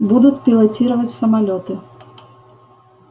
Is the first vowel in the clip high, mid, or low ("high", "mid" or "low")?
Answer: high